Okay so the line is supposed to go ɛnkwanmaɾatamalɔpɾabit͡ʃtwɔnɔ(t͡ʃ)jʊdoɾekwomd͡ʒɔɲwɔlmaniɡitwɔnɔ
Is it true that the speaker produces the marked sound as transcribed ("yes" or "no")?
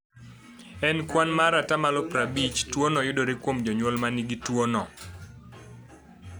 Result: no